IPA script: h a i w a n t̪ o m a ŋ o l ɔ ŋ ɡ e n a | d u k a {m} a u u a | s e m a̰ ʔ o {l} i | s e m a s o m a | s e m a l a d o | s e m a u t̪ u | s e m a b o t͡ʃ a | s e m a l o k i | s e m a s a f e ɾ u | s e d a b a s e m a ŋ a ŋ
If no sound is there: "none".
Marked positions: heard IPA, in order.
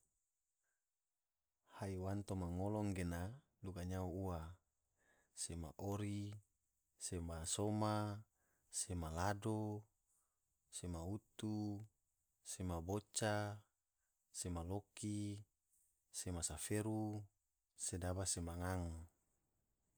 ɲ, ɾ

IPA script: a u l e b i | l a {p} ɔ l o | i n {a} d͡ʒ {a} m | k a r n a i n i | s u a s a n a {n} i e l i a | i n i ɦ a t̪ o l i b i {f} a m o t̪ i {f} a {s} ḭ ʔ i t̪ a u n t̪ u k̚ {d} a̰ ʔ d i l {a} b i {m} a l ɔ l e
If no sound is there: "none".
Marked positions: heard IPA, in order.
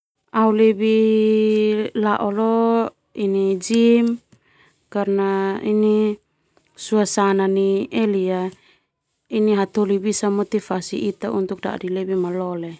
ʔ, i, i, n, s, f, s, d, e, m

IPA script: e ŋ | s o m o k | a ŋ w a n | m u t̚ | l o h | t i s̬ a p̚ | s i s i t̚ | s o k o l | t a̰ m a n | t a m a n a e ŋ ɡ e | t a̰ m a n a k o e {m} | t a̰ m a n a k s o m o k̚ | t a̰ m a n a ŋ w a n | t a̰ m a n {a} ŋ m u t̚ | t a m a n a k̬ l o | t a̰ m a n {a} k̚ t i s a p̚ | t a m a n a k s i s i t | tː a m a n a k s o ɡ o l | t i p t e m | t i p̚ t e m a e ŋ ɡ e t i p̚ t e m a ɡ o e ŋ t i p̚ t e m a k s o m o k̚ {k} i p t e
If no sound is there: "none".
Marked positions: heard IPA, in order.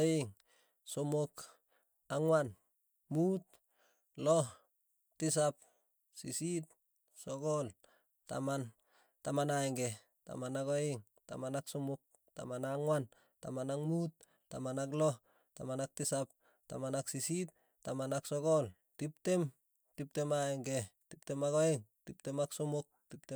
ŋ, a, a, t

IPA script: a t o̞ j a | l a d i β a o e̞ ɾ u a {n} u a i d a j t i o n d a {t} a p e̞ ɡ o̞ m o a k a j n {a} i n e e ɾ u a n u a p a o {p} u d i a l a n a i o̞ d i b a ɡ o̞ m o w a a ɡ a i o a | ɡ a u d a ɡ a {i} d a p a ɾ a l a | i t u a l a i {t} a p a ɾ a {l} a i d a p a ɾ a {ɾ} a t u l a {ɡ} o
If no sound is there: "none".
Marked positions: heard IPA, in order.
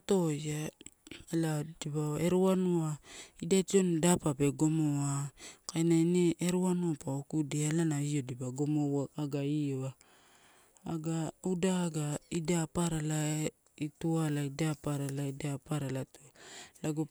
n, p, a, k, i, d, l, l, ɡ

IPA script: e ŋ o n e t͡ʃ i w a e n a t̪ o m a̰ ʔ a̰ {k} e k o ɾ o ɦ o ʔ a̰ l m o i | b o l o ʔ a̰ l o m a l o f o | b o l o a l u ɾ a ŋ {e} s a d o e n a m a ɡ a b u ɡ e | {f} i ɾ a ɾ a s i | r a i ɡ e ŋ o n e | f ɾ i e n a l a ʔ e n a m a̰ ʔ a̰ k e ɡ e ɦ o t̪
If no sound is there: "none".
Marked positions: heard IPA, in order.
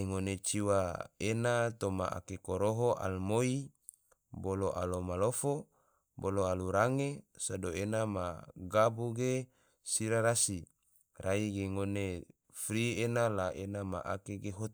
k, e, s

